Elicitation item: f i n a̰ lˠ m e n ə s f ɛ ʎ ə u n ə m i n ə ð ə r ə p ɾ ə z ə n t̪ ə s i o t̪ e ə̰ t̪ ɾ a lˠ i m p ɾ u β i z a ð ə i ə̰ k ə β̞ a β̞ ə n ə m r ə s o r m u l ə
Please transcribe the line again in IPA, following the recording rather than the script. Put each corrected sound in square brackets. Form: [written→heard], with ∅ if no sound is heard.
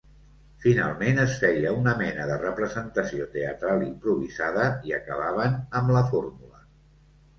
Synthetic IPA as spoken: f i n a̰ lˠ m e n ə s f ɛ [ʎ→j] ə u n ə m [i→ɛ] n ə ð ə r ə p ɾ ə z ə n t̪ ə s i o t̪ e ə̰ t̪ ɾ a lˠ i m p ɾ u β i z a ð ə i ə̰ k ə β̞ a β̞ ə n ə m [r→l] ə [s→f] o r m u l ə